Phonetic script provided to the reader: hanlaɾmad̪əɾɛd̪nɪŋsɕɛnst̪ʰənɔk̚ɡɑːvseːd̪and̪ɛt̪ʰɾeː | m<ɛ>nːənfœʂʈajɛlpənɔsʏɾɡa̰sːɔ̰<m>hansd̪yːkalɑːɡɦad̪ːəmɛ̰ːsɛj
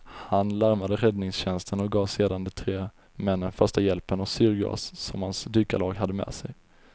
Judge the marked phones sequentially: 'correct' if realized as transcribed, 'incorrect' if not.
correct, correct

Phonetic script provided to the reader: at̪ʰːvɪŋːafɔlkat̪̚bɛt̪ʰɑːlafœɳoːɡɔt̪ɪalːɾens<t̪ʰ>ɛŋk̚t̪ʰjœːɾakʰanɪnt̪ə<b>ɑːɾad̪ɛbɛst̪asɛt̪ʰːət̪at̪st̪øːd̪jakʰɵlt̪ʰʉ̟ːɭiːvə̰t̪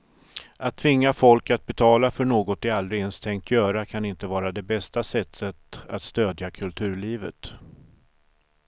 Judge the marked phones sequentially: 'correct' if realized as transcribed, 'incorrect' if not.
correct, incorrect

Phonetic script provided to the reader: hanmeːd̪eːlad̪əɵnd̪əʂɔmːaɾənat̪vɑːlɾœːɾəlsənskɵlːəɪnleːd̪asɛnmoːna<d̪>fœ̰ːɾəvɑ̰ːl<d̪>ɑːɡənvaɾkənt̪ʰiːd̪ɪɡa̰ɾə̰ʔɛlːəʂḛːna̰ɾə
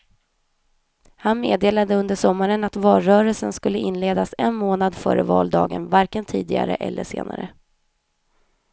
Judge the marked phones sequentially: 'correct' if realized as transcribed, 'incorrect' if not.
correct, correct

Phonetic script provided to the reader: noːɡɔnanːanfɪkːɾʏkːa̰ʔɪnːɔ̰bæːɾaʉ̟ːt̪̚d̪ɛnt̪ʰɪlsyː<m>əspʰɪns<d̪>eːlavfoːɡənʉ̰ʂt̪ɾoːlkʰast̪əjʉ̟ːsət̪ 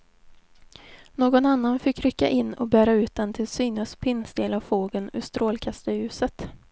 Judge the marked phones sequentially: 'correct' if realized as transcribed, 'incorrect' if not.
incorrect, correct

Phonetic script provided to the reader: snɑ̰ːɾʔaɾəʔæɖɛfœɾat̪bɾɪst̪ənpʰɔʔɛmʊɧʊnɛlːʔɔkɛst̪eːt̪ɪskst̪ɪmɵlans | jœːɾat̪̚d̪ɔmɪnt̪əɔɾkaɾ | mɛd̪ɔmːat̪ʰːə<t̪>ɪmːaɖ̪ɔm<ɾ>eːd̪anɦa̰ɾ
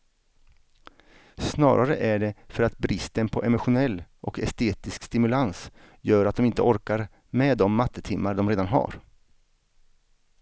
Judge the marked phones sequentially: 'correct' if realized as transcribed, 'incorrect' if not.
incorrect, correct

